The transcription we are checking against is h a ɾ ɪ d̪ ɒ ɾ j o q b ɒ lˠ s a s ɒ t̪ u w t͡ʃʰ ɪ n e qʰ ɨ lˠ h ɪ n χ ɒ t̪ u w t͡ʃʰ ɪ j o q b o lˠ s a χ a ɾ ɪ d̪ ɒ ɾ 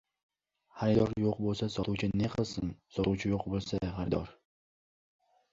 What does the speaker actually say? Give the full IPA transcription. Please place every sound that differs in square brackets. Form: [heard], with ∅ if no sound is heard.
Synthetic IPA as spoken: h a ɾ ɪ d̪ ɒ ɾ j o q b [o] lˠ s a s ɒ t̪ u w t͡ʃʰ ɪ n e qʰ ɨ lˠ [s] ɪ n [s] ɒ t̪ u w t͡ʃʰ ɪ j o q b o lˠ s a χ a ɾ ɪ d̪ ɒ ɾ